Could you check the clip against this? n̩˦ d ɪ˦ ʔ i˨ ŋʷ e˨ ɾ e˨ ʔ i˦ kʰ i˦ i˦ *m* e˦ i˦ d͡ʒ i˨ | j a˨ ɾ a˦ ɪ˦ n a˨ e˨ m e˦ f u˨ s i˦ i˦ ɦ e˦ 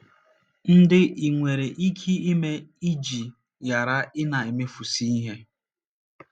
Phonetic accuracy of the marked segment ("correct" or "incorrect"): correct